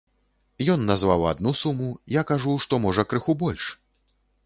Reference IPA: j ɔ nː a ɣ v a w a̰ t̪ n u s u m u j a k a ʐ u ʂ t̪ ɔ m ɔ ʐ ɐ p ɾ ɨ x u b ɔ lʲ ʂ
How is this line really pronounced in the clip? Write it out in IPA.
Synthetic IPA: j ɔ nː a z v a w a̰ d̪ n u s u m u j a k a ʐ u ʂ t̪ ɔ m ɔ ʐ ɐ k ɾ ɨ x u b ɔ lʲ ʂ